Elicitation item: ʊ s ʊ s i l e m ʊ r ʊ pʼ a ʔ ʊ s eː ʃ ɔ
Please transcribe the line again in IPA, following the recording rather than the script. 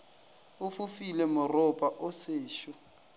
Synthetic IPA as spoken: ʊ f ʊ f i l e m ʊ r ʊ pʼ a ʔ ʊ s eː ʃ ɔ